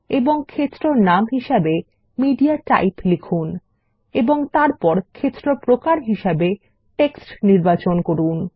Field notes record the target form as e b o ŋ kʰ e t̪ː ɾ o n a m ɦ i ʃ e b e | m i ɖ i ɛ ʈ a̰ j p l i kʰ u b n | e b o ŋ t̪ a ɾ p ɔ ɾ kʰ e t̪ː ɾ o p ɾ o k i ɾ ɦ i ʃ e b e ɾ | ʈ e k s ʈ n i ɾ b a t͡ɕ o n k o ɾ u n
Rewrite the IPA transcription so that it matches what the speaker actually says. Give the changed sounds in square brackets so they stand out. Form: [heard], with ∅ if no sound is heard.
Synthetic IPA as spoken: e b o ŋ kʰ e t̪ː ɾ o n a m ɦ i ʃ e b e | m i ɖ i [a] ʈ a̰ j p l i kʰ u [∅] n | e b o ŋ t̪ a ɾ p ɔ ɾ kʰ e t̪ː ɾ o p ɾ o k [a] ɾ ɦ i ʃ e b e [∅] | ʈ e k s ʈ n i ɾ b a t͡ɕ o n k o ɾ u n